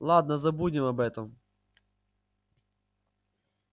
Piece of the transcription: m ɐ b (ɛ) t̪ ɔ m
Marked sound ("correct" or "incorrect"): correct